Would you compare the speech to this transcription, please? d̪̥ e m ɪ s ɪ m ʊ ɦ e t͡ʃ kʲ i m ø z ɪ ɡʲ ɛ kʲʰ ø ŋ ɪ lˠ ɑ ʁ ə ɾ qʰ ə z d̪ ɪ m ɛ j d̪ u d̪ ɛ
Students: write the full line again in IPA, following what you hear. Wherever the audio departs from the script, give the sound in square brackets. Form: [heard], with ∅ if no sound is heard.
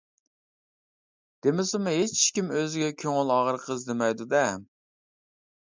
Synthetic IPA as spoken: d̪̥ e m ɪ s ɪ m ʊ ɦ e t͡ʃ kʲ i m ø z ɪ ɡʲ ɛ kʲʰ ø ŋ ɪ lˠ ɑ ʁ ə ɾ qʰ ə z d̪ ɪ m ɛ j d̪ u d̪ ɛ